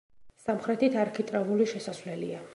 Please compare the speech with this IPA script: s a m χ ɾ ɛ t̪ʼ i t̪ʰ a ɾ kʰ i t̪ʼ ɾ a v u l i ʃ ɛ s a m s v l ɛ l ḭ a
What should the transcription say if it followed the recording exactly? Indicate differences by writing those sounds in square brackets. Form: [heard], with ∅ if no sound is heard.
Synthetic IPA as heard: s a m χ ɾ ɛ [t̪] i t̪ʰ a ɾ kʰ i t̪ʼ ɾ a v u l i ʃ ɛ s a [∅] s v l ɛ l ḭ a